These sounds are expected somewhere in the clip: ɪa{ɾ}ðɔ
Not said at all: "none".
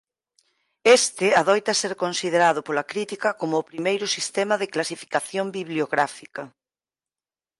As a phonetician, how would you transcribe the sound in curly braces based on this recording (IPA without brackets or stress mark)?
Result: none